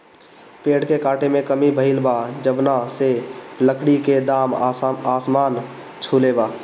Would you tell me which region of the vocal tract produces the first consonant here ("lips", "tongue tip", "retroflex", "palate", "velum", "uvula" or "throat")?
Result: lips